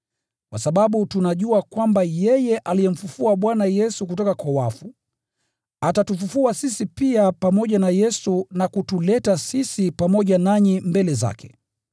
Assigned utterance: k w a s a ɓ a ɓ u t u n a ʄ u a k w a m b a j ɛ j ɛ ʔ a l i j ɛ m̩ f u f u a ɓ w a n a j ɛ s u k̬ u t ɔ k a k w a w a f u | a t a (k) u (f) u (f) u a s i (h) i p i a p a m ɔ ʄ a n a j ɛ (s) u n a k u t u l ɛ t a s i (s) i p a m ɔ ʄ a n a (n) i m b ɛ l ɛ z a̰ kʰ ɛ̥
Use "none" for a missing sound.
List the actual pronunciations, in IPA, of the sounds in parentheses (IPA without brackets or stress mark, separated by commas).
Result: t, f, f, s, s, s, ɲ